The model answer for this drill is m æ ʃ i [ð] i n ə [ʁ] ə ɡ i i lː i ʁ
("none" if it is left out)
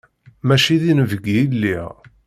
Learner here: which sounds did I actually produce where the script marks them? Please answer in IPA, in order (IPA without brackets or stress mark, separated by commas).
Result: ð, v